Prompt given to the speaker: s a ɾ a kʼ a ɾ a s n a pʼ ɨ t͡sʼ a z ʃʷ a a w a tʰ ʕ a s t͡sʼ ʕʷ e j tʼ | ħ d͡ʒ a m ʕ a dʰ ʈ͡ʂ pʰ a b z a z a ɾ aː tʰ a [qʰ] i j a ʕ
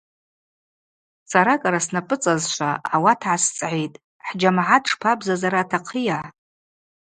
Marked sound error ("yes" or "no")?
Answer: no